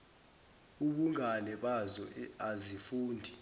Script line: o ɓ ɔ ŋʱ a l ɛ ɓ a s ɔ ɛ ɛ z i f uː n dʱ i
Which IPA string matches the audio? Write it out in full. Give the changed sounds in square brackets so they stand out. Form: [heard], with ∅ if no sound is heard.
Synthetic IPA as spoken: [u] ɓ [u] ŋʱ a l ɛ ɓ a [z] ɔ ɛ [a] z i f uː n dʱ i